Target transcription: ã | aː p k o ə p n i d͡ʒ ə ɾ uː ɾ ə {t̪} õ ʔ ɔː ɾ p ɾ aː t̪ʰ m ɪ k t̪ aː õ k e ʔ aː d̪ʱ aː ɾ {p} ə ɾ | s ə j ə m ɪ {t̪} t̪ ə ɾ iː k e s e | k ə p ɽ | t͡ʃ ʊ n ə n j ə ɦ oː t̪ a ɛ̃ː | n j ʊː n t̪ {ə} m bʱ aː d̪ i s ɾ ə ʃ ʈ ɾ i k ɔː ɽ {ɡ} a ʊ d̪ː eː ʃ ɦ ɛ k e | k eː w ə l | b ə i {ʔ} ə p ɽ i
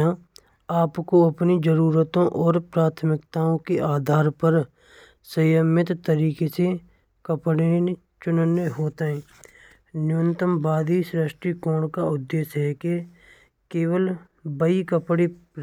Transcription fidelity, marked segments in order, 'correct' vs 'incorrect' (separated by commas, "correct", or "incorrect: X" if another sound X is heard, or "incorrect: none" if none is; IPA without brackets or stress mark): correct, correct, correct, correct, incorrect: k, incorrect: k